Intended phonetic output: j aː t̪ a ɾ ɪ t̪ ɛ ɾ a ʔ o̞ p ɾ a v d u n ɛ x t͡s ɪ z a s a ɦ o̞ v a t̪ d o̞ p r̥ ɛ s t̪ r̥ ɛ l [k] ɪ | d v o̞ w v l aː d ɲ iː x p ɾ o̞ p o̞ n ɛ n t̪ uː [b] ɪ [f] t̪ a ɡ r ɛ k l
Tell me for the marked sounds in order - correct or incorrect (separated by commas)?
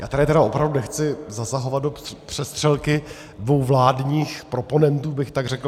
correct, correct, incorrect